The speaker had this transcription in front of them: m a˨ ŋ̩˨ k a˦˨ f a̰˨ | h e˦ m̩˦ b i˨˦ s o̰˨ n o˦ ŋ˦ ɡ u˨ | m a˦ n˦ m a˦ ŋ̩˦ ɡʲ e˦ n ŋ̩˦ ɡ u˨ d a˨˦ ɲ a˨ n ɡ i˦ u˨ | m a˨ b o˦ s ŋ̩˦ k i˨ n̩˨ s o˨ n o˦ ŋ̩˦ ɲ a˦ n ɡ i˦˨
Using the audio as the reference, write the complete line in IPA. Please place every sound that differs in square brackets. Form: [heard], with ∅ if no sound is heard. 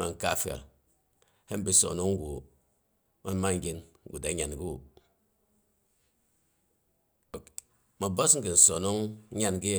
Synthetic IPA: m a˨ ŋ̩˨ k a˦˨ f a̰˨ | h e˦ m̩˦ b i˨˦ s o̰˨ n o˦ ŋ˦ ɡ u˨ | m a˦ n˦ m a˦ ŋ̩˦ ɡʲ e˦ n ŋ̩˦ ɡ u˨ d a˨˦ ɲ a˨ n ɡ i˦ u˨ | m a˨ b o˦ s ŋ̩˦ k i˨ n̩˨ s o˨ n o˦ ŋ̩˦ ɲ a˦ n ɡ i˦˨